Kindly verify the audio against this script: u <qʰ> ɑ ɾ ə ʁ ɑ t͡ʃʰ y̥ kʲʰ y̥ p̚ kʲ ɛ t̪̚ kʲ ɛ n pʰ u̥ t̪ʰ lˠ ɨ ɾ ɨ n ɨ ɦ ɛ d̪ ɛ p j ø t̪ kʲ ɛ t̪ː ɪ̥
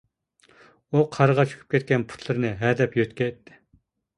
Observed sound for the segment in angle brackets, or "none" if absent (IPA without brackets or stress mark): qʰ